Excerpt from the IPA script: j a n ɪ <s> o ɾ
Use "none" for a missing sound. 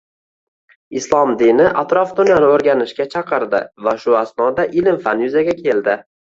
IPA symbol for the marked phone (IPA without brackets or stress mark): none